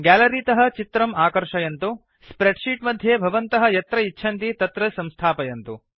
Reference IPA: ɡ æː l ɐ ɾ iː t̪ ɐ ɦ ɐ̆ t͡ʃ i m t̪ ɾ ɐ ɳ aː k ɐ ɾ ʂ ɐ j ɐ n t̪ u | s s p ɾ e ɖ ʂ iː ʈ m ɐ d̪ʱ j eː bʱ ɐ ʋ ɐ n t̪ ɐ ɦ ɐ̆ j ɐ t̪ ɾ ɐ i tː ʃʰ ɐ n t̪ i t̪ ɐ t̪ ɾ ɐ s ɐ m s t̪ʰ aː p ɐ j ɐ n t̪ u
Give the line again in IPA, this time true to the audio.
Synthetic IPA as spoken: ɡ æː l ɐ ɾ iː t̪ ɐ ɦ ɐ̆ t͡ʃ i t̪ ɾ ɐ m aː k ɐ ɾ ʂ ɐ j ɐ n t̪ u | s s p ɾ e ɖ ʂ iː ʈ m ɐ d̪ʱ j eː bʱ ɐ ʋ ɐ n t̪ ɐ ɦ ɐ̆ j ɐ t̪ ɾ ɐ i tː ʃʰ ɐ n t̪ i t̪ ɐ t̪ ɾ ɐ s ɐ m s t̪ʰ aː p ɐ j ɐ n t̪ u